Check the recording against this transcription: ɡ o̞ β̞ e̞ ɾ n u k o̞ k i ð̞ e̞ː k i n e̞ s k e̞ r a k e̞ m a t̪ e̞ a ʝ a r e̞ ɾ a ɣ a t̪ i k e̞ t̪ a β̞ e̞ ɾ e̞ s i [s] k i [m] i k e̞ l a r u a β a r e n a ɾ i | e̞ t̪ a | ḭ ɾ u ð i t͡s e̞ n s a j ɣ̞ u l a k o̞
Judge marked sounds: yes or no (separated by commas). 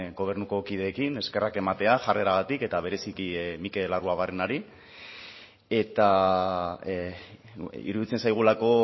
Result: no, yes